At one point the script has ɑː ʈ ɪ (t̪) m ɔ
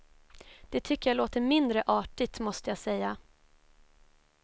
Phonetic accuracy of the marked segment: correct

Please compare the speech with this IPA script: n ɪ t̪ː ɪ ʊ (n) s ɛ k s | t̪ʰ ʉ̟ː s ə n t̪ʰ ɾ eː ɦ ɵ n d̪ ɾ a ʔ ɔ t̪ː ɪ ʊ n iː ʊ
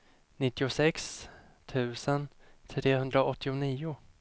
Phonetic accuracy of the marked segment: incorrect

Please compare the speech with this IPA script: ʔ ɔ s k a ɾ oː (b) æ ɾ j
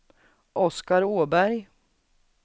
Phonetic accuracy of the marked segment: correct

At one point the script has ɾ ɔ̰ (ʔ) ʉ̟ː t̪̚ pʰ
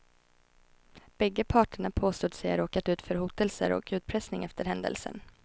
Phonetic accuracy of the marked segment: incorrect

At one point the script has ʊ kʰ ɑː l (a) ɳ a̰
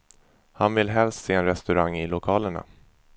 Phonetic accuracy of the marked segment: incorrect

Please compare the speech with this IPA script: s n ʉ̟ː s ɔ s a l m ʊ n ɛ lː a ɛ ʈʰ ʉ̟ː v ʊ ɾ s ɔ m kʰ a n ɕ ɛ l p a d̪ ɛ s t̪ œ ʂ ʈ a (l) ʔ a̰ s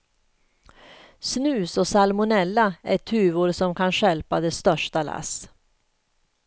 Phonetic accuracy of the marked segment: correct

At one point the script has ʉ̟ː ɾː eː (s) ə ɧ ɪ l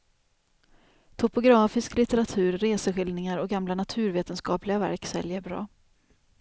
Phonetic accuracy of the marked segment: correct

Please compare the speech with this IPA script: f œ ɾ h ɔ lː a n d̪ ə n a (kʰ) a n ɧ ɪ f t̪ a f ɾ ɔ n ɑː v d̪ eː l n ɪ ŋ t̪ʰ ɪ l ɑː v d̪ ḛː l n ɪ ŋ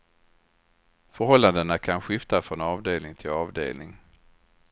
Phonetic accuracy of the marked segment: correct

